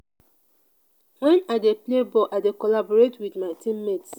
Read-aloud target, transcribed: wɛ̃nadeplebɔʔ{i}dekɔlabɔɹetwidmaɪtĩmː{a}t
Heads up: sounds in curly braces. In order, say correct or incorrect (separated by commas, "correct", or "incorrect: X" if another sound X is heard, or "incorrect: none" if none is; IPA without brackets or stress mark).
incorrect: a, incorrect: e